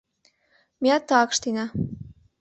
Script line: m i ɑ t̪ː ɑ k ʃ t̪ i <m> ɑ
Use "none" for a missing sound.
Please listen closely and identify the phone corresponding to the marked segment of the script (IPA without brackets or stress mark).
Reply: n